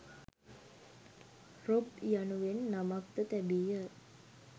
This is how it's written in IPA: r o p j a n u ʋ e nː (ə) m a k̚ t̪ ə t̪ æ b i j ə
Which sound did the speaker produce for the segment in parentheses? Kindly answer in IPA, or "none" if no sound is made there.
a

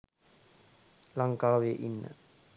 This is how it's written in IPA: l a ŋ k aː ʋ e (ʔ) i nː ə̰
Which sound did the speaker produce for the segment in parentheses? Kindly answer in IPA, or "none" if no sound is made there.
ʔ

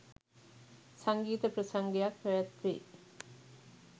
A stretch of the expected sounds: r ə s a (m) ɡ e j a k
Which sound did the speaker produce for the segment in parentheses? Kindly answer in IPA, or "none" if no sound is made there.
ŋ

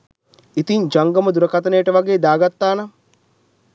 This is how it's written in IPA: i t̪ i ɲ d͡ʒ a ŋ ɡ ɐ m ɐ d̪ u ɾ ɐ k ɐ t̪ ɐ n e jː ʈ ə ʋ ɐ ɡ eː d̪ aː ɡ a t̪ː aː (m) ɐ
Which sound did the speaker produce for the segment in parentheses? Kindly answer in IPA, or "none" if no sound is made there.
n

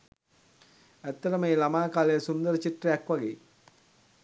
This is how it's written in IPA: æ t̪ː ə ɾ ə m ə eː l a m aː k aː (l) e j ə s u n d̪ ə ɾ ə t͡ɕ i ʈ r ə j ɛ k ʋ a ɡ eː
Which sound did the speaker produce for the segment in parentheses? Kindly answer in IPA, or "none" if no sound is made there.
l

